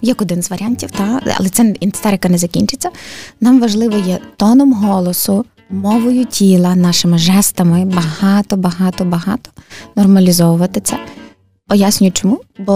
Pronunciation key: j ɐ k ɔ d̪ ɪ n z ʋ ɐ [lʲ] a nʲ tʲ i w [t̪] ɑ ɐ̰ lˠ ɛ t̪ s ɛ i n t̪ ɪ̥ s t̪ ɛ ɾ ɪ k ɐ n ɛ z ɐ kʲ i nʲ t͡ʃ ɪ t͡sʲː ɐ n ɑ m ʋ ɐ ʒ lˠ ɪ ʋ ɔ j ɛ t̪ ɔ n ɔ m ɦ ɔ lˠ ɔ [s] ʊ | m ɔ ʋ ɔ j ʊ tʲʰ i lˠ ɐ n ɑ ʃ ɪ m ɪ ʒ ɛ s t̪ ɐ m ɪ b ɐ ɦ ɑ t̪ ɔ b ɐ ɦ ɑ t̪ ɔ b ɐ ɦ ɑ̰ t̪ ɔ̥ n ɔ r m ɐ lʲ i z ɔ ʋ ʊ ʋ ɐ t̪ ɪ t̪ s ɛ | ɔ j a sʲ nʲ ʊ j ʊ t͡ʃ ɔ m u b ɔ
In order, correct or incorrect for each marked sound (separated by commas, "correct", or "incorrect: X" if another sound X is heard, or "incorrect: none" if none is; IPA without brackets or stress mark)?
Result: incorrect: ɾʲ, correct, correct